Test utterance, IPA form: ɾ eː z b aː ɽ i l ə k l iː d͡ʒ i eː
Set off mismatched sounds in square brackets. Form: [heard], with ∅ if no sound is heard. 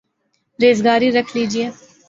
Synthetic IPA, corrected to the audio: ɾ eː z [ɡ] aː [ɾ] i [ɾ] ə [kʰ] l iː d͡ʒ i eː